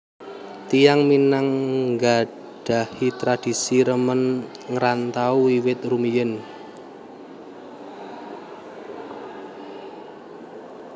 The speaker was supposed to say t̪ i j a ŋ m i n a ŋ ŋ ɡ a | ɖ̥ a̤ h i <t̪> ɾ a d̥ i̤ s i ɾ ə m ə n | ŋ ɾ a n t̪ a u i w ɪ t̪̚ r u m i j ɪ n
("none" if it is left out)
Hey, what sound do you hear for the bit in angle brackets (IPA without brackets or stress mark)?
t̪